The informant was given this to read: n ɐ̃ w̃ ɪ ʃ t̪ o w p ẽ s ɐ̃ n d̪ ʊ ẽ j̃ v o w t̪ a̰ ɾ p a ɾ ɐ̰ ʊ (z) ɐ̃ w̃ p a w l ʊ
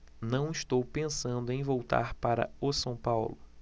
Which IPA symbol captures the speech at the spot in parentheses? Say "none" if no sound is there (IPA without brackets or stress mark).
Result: s